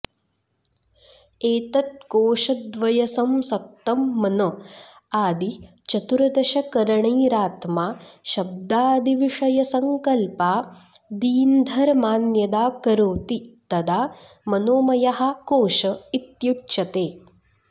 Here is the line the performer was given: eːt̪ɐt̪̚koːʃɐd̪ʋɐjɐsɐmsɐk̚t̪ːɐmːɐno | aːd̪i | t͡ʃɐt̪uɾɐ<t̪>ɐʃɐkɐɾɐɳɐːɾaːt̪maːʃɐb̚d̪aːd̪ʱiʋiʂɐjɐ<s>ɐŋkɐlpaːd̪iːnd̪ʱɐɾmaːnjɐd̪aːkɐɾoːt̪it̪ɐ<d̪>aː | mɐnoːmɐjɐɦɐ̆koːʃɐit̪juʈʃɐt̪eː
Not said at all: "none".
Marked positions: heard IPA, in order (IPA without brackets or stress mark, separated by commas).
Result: d̪, s, d̪